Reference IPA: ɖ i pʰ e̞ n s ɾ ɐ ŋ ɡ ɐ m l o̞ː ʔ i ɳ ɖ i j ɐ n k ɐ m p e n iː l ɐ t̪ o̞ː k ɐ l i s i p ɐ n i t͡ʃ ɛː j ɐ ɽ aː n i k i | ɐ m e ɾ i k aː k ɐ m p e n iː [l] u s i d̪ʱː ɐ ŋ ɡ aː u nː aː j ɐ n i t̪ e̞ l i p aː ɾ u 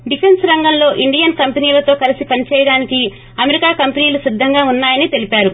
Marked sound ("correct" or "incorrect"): correct